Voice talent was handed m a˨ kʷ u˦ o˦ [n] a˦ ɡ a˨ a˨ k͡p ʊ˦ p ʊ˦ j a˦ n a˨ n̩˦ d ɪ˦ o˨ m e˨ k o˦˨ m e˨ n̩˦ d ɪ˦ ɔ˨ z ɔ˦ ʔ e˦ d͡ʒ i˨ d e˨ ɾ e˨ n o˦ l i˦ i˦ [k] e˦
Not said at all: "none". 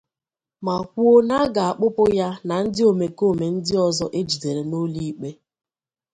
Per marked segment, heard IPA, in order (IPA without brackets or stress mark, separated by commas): n, k͡p